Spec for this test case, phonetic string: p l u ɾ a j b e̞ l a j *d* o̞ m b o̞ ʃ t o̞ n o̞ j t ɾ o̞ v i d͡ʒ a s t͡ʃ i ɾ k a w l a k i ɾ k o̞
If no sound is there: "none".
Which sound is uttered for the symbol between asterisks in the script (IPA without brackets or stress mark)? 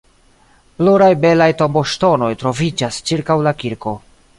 t